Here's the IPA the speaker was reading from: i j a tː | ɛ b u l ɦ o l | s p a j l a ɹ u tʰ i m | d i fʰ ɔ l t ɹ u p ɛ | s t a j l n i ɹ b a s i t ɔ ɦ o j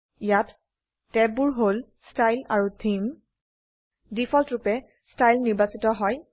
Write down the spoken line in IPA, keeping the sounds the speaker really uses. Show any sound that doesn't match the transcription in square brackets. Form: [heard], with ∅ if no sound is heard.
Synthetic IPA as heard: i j a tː | ɛ b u [ɹ] ɦ o l | s [t] a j l a ɹ u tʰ i m | d i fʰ ɔ l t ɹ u p ɛ | s t a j l n i ɹ b a s i t ɔ ɦ [ɔ] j